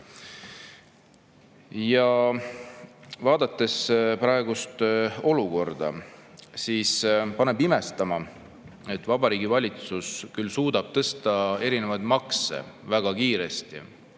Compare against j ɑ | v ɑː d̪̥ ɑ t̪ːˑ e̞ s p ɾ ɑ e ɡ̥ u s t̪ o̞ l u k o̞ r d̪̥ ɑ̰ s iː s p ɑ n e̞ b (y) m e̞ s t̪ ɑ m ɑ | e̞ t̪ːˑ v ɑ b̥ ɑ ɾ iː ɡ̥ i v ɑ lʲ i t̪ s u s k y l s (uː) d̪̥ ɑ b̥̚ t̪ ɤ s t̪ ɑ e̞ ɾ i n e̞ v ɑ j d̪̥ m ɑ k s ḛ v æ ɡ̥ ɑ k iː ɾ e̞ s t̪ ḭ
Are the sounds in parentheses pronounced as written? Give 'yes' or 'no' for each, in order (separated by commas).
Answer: no, yes